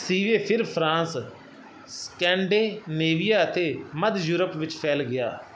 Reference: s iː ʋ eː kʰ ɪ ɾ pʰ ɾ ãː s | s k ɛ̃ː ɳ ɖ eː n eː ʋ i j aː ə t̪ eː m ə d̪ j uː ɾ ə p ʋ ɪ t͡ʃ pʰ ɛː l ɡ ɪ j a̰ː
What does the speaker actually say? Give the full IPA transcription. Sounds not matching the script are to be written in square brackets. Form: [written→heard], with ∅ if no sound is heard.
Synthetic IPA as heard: s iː ʋ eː [kʰ→pʰ] ɪ ɾ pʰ ɾ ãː s | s k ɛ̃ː ɳ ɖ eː n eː ʋ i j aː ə t̪ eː m ə d̪ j uː ɾ ə p ʋ ɪ t͡ʃ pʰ ɛː l ɡ ɪ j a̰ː